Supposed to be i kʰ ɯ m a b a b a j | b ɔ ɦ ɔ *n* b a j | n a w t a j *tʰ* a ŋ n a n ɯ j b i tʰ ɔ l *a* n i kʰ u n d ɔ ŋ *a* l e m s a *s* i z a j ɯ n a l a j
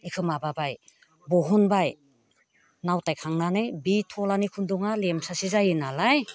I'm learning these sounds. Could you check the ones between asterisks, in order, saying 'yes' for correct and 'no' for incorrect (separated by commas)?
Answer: yes, no, yes, yes, yes